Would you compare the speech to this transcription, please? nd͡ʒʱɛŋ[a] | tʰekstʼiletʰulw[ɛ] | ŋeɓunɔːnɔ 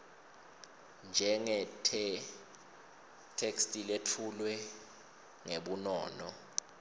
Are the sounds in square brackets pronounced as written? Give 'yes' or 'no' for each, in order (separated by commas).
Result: no, yes